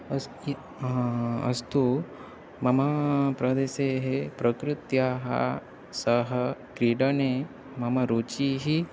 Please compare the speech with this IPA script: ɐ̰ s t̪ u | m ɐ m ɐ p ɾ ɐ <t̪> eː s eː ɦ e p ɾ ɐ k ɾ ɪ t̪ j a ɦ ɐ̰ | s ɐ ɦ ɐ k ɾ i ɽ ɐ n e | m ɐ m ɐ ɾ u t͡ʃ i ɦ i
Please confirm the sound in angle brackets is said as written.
no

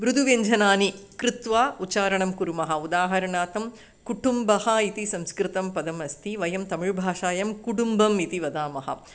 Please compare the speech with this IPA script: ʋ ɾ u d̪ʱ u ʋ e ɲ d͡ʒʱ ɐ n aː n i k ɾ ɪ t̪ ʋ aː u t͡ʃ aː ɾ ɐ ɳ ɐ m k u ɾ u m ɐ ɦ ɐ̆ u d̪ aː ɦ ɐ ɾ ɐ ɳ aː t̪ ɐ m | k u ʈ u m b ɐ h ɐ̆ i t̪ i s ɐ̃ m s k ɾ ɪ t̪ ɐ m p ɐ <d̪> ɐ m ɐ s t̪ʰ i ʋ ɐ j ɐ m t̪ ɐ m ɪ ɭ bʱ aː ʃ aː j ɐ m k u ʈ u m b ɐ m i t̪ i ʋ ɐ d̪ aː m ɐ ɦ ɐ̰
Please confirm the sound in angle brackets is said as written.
yes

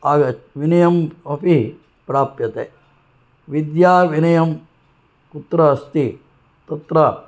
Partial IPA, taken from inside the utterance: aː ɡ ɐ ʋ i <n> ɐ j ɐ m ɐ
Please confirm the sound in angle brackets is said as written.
yes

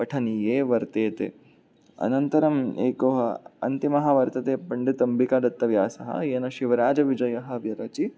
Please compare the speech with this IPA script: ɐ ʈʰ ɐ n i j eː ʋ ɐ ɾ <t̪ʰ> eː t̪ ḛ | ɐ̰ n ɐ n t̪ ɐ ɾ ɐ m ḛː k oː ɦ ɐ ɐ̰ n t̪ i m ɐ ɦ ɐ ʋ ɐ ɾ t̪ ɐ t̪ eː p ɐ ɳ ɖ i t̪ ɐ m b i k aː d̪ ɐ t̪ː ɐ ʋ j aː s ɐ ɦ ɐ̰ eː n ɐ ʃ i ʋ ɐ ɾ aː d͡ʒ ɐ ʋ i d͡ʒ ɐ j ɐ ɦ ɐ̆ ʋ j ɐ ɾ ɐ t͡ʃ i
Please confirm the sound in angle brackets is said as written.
no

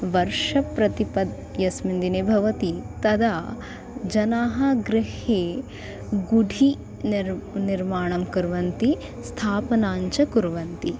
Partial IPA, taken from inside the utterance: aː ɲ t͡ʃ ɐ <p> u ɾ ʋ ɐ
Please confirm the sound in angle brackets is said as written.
no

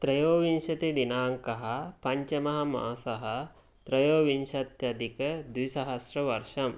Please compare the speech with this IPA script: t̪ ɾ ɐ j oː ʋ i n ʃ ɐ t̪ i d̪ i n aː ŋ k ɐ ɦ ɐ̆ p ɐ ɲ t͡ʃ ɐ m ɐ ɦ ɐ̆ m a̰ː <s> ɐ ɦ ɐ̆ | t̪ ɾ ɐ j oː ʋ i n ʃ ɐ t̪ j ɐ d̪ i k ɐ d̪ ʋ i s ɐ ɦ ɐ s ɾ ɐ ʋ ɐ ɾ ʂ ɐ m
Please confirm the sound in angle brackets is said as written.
yes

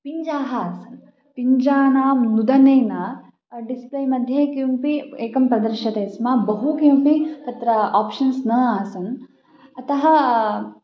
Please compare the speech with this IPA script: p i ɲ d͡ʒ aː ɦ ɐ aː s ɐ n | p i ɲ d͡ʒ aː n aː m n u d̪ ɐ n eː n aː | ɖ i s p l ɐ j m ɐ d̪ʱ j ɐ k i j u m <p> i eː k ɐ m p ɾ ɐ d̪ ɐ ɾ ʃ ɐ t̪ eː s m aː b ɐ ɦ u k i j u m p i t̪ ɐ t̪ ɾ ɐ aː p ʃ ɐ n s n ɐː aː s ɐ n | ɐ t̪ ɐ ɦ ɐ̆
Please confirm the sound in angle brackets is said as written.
yes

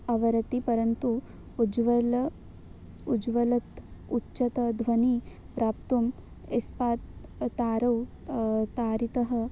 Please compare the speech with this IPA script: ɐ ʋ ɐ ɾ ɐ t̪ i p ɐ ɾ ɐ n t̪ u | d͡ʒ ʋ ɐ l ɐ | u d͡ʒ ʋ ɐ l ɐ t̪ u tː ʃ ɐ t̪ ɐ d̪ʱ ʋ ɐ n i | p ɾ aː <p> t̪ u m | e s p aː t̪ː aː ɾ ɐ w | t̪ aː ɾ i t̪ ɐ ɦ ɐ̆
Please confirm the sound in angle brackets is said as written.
yes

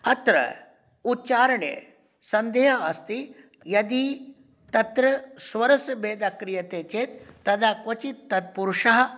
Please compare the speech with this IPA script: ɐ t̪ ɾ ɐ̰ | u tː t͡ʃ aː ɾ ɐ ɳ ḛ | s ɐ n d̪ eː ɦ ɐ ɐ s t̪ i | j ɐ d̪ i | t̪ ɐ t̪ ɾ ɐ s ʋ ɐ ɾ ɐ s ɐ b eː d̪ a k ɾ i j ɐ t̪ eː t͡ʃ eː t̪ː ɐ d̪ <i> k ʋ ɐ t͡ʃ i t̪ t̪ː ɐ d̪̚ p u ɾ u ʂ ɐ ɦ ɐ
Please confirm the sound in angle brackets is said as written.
no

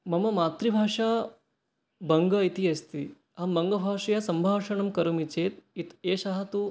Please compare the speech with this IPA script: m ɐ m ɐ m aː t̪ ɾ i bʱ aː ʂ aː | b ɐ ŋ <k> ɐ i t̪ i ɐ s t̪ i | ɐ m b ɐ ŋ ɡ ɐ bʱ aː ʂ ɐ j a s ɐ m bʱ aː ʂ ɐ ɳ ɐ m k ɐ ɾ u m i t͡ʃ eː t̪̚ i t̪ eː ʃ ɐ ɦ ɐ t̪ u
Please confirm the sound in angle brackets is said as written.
no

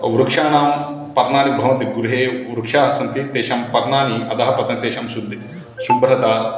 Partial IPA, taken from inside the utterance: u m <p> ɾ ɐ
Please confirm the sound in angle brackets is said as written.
no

